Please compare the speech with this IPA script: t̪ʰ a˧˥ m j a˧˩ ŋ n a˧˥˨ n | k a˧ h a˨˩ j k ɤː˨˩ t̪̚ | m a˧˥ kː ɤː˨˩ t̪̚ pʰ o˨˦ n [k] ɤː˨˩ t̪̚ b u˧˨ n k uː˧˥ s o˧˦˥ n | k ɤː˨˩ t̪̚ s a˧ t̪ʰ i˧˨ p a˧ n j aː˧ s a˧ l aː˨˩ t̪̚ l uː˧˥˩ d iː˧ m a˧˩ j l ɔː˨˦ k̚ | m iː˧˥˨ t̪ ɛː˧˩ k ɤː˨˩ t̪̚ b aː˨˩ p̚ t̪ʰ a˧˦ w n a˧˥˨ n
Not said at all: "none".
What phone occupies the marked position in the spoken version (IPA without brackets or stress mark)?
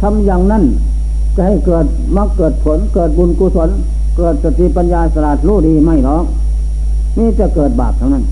k